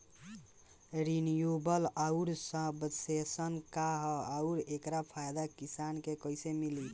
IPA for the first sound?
ɾ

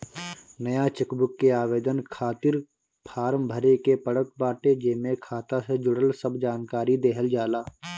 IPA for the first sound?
n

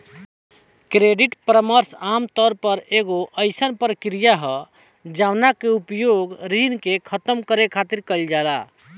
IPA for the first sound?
k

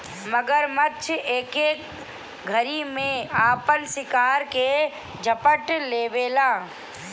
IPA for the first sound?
m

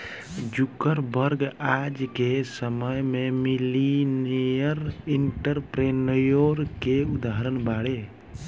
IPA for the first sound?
d͡ʒ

